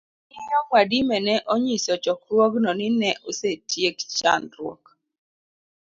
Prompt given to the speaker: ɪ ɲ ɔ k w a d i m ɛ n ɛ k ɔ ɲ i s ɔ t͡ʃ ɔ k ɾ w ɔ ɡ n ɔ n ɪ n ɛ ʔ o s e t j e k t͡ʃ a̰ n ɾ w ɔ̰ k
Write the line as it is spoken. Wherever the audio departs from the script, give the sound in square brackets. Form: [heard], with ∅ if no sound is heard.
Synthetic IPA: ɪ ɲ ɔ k w a d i m ɛ n ɛ [ʔ] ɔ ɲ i s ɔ t͡ʃ ɔ k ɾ w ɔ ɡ n ɔ n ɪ n ɛ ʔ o s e t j e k t͡ʃ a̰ n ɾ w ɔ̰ k